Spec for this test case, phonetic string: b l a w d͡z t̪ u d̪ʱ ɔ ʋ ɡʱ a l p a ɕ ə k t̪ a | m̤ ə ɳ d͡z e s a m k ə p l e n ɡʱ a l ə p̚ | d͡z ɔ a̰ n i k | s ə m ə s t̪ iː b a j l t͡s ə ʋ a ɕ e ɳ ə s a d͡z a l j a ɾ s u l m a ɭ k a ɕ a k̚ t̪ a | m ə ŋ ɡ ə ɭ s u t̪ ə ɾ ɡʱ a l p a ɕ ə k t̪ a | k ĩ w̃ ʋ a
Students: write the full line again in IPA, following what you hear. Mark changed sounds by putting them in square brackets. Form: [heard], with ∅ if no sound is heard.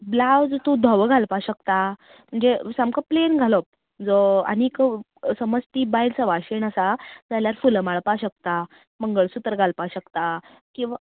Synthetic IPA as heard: b l a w d͡z t̪ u d̪ʱ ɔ ʋ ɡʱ a l p a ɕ ə k t̪ a | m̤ ə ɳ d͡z e s a m k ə p l e n ɡʱ a l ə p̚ | d͡z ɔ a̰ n i k | s ə m ə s t̪ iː b a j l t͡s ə ʋ a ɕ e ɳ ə s a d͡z a l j a ɾ [f] u l m a ɭ [p] a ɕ [ə] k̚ t̪ a | m ə ŋ ɡ ə ɭ s u t̪ ə ɾ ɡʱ a l p a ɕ ə k t̪ a | k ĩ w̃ ʋ a

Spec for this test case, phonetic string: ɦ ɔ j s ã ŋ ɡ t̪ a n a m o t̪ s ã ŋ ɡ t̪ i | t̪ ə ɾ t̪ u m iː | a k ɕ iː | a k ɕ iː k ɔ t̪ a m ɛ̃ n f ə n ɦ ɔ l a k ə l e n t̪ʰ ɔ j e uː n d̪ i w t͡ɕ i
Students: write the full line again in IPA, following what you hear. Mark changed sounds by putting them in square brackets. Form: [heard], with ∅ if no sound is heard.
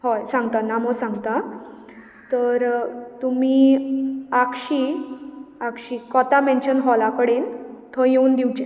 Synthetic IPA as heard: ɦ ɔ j s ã ŋ ɡ t̪ a n a m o [∅] s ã ŋ ɡ t̪ [a] | t̪ ə ɾ t̪ u m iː | a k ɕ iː | a k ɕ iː k ɔ t̪ a m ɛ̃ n [ɕ] ə n ɦ ɔ l a k ə [ɽ] e n t̪ʰ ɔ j e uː n d̪ i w t͡ɕ [e]

